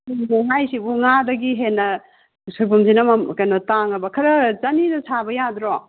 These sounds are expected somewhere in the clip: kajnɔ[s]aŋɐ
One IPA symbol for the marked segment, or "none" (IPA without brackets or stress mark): t